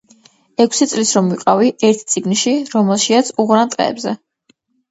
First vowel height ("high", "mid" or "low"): mid